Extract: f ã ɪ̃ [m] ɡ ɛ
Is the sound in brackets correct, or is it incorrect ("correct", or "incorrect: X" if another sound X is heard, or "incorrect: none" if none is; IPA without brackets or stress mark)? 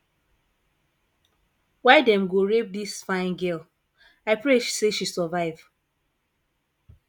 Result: incorrect: n